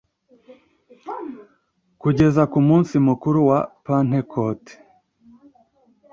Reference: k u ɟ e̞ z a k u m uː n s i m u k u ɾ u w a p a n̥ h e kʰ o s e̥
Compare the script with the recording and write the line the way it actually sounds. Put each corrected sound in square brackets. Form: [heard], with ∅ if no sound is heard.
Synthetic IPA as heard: k u ɟ e̞ z a k u m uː n s i m u k u ɾ u w a p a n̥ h e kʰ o [t] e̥